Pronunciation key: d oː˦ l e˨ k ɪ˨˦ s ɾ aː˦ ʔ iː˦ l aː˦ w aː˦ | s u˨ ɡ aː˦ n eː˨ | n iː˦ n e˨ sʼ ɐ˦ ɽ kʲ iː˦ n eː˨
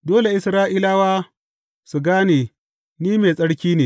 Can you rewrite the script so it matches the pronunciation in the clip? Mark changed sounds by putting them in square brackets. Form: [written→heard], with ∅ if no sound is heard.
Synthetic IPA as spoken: d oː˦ l e˨ [k→ʔ] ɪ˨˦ s ɾ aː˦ ʔ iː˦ l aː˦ w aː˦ | s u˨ ɡ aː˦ n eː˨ | n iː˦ [n→m] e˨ sʼ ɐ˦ ɽ kʲ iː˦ n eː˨